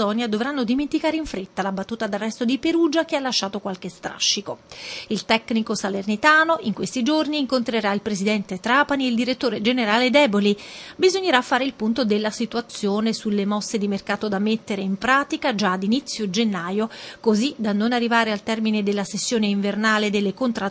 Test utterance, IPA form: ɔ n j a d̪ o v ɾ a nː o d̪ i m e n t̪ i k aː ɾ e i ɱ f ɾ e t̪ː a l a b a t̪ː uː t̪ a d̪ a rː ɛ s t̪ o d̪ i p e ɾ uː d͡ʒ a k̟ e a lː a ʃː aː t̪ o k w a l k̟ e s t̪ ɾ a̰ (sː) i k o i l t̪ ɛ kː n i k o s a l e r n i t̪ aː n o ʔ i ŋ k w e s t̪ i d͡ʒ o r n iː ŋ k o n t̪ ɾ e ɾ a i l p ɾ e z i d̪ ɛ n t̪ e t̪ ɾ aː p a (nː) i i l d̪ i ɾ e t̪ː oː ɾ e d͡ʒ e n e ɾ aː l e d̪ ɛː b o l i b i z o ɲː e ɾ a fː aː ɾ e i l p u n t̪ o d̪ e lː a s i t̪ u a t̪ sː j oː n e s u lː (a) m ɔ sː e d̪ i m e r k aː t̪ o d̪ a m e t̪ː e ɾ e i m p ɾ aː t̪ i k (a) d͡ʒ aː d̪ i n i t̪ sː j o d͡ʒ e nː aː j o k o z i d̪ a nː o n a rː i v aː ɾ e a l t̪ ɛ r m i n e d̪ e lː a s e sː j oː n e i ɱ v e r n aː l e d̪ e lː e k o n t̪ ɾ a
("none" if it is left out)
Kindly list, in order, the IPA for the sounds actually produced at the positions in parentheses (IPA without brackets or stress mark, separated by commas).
ʃː, n, e, a